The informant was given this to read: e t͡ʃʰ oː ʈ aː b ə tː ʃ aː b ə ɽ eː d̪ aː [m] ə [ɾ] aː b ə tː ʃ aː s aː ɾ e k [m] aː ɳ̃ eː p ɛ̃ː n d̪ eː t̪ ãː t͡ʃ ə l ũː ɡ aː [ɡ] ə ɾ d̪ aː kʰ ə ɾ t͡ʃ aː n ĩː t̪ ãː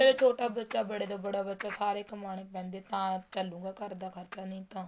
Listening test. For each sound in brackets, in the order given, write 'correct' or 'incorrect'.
incorrect, incorrect, correct, incorrect

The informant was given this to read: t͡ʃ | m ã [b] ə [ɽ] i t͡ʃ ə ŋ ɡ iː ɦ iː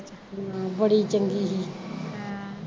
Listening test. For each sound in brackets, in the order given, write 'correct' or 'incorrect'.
correct, correct

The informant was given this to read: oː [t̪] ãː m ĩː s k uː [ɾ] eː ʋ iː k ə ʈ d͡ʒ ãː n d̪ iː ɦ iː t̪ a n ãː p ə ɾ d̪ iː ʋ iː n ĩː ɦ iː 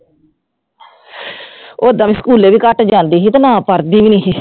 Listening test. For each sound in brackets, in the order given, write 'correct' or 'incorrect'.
incorrect, incorrect

